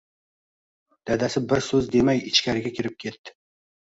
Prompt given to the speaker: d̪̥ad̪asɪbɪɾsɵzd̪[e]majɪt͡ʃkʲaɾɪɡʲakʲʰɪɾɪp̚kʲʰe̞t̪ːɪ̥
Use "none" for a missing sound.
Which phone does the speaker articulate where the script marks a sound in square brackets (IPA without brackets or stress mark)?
e